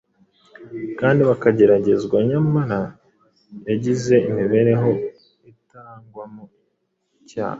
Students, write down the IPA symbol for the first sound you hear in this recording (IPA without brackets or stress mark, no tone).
k